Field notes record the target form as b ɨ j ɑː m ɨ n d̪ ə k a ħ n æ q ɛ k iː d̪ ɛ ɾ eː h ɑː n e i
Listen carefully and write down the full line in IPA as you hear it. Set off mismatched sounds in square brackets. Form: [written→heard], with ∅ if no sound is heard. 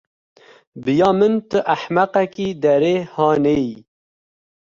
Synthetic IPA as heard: b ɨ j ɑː m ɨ n [d̪→t̪] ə [k→ʔ] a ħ [n→m] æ q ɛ k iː d̪ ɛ ɾ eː h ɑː n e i